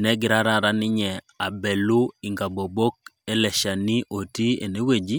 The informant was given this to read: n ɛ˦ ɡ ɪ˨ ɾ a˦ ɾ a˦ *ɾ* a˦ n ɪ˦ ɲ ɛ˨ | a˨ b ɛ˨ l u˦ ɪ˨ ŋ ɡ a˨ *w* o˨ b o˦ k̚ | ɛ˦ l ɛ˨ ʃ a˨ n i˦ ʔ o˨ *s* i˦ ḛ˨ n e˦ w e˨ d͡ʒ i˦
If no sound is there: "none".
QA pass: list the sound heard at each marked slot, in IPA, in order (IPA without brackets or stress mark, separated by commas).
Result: ɾ, b, t